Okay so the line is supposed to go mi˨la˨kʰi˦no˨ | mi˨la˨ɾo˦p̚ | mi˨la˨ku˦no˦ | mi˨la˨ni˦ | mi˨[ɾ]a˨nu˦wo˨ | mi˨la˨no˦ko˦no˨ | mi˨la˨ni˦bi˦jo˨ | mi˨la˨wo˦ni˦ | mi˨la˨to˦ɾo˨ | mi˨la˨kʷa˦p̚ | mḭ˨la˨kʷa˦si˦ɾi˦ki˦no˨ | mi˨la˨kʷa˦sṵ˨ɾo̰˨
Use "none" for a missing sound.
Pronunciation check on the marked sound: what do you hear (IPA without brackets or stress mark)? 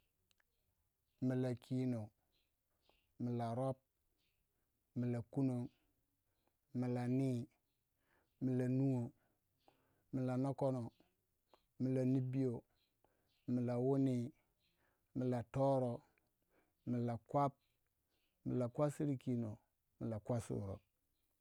l